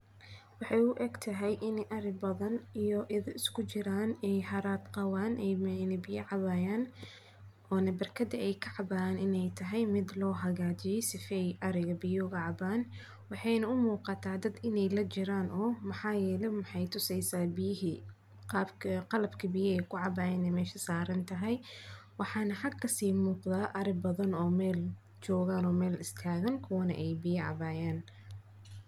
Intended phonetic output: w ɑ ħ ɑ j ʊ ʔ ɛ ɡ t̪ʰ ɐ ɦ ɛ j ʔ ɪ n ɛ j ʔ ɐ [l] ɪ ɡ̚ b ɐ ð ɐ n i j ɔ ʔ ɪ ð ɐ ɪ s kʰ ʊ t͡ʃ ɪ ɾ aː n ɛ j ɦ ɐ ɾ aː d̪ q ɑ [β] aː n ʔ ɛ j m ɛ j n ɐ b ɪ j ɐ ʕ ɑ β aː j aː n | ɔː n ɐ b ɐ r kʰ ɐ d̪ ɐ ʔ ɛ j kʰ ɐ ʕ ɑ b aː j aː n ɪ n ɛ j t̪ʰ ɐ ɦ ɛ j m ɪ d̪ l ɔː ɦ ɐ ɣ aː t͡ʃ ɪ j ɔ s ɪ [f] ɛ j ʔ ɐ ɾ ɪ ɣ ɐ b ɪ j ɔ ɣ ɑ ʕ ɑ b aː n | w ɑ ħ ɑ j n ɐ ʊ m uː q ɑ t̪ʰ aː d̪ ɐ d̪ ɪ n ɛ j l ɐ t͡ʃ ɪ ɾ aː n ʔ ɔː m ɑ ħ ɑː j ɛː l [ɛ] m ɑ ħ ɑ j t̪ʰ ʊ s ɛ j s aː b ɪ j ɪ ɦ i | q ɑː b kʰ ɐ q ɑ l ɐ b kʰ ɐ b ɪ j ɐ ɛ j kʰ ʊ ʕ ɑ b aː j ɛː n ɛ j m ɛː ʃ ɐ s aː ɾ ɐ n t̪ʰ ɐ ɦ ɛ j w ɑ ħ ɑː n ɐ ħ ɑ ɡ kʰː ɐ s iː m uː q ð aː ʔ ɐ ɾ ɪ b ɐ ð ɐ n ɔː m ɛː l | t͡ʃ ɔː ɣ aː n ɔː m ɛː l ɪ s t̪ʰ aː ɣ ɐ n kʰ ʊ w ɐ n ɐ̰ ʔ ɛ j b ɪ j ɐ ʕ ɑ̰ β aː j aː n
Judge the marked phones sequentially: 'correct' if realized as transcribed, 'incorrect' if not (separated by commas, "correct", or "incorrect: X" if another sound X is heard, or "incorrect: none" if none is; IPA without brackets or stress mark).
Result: incorrect: ɾ, incorrect: w, correct, correct